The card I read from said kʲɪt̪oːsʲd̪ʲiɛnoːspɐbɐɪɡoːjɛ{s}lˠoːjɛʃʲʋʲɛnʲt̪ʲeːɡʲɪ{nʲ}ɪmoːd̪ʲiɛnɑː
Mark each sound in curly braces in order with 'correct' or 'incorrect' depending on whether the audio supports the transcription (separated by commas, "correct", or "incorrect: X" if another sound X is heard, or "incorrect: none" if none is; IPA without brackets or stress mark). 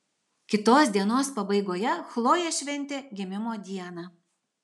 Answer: incorrect: x, incorrect: mʲ